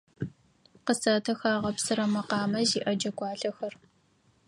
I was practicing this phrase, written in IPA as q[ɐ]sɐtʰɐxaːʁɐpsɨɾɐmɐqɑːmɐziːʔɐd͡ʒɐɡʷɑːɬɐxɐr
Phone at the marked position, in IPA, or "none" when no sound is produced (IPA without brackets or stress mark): ə